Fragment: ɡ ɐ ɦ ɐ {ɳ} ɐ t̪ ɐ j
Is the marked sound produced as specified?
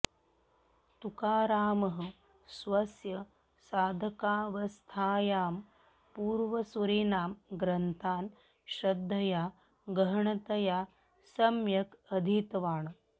yes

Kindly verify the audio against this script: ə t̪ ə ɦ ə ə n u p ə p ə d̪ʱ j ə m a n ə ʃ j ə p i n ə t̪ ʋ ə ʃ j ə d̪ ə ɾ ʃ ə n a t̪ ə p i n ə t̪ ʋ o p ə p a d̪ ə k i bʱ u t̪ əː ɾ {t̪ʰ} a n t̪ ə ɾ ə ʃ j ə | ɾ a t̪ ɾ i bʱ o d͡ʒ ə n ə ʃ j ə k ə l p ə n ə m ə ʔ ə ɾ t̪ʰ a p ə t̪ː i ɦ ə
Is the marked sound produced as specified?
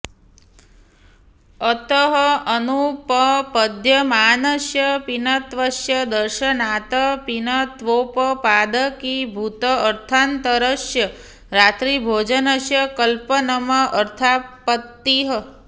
yes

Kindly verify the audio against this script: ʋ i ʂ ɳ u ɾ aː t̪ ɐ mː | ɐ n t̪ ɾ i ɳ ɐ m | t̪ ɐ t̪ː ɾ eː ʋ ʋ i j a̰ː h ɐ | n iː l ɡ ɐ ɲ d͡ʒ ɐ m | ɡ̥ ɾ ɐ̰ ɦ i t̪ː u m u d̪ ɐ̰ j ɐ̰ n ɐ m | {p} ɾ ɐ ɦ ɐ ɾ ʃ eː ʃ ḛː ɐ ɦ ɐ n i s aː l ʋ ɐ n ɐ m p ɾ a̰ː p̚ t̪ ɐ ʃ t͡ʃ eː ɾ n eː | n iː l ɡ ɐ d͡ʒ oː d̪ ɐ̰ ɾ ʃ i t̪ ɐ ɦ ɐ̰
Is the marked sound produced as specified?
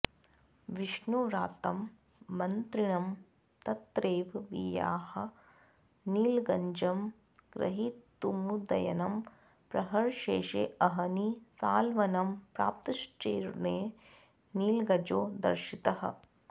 yes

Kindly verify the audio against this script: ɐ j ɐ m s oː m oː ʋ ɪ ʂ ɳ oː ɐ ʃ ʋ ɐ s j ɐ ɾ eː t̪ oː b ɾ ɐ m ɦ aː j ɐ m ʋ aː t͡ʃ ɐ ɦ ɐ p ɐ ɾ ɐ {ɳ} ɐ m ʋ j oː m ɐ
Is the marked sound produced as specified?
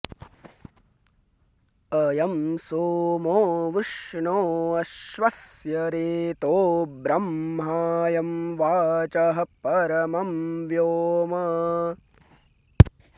no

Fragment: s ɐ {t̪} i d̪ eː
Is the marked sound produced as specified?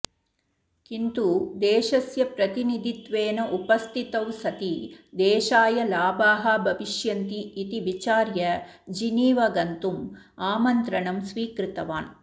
yes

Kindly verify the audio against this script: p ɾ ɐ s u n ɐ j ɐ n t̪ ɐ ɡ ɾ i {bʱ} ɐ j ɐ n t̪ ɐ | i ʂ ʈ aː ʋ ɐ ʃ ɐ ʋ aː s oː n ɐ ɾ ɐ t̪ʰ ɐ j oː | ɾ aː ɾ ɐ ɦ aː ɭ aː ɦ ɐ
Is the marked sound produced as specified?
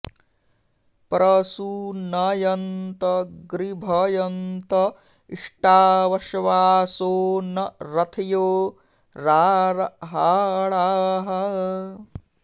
yes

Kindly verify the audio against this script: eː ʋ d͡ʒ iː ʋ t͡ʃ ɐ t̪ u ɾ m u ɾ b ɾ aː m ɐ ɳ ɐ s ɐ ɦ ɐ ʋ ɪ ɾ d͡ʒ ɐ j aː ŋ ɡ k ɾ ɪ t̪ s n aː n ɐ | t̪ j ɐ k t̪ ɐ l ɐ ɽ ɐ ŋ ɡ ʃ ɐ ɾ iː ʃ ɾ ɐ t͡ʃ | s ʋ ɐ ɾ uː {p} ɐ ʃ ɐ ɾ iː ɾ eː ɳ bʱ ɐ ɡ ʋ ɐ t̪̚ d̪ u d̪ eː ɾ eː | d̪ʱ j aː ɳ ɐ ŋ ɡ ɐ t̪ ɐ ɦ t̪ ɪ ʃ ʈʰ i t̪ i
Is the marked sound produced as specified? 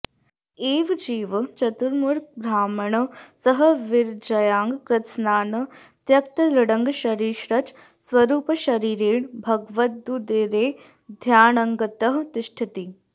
yes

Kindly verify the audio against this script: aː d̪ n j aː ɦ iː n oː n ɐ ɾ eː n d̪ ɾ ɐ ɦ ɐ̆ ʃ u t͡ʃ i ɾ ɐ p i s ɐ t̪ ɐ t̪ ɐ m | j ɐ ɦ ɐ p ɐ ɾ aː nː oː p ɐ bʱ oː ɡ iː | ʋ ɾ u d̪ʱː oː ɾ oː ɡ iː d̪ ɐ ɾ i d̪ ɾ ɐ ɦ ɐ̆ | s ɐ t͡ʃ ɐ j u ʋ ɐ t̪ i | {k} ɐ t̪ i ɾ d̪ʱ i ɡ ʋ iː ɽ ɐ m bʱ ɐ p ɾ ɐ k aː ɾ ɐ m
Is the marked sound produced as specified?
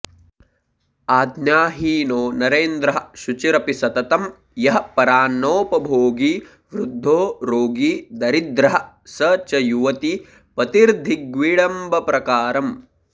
no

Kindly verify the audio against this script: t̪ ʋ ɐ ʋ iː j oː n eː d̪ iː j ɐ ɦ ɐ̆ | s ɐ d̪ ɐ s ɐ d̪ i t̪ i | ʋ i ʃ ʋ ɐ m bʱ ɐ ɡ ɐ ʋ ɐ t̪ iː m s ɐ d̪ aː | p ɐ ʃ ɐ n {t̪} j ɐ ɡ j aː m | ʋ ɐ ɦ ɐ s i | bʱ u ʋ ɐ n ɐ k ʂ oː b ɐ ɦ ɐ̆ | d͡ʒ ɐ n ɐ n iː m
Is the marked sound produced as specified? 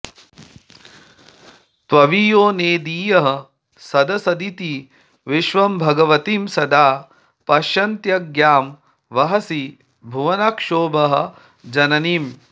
yes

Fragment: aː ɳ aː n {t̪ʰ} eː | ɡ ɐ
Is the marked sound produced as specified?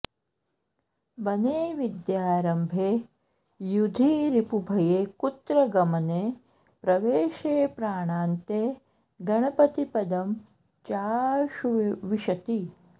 no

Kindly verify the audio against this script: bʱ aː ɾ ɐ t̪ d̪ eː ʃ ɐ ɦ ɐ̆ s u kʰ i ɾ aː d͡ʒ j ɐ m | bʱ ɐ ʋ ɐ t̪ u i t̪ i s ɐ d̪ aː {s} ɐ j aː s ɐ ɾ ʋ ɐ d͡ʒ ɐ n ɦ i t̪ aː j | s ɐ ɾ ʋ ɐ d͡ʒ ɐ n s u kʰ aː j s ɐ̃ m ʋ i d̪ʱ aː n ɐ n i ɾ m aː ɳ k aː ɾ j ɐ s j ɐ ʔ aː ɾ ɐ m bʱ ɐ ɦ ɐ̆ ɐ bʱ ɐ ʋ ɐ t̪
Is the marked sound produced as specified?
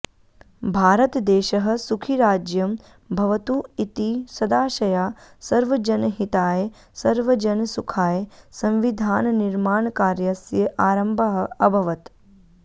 no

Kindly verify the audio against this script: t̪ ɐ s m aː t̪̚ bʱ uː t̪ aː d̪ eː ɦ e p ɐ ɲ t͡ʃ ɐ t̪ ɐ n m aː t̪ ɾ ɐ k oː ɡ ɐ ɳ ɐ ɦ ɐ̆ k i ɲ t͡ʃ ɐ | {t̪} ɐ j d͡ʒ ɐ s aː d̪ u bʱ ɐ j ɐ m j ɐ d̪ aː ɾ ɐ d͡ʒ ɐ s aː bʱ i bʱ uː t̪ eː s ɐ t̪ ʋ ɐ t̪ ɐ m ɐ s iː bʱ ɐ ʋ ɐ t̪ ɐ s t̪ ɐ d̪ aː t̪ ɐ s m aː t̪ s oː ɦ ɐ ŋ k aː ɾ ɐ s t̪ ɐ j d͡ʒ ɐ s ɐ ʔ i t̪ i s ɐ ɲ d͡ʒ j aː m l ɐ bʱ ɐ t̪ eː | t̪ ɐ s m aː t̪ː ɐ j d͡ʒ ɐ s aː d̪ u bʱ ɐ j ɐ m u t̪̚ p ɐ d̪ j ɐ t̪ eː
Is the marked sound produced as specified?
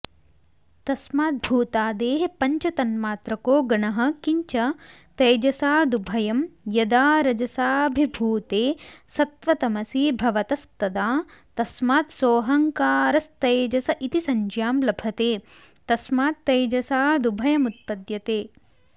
yes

